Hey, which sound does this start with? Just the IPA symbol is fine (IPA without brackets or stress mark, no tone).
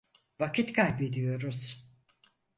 v